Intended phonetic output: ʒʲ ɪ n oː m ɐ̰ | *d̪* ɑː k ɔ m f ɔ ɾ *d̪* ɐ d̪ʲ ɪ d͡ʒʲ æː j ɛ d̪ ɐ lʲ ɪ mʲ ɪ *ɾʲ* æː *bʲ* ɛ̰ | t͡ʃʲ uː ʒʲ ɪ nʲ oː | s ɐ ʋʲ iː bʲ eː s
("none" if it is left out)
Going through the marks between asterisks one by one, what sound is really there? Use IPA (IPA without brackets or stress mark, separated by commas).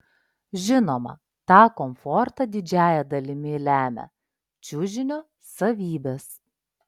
t̪, t̪, lʲ, mʲ